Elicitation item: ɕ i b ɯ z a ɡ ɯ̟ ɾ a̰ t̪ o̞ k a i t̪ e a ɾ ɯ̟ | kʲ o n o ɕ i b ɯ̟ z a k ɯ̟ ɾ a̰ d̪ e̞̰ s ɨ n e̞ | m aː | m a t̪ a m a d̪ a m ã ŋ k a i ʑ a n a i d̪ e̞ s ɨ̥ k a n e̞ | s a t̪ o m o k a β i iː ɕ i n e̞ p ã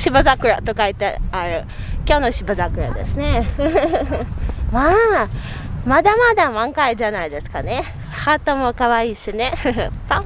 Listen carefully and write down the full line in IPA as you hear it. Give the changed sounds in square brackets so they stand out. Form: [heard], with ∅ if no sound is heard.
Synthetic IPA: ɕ i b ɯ z a [k] ɯ̟ ɾ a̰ t̪ o̞ k a i t̪ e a ɾ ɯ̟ | kʲ o n o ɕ i b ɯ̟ z a k ɯ̟ ɾ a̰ d̪ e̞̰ s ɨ n e̞ | m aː | m a [d̪] a m a d̪ a m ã ŋ k a i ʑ a n a i d̪ e̞ s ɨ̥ k a n e̞ | [h] a t̪ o m o k a β [a] iː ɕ i n e̞ p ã